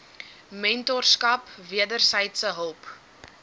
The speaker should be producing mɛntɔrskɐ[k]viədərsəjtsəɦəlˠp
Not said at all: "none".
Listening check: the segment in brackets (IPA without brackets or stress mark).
p